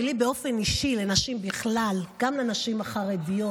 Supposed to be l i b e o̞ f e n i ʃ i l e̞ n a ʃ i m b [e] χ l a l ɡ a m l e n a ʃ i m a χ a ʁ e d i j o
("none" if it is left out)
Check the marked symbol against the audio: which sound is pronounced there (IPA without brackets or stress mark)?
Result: i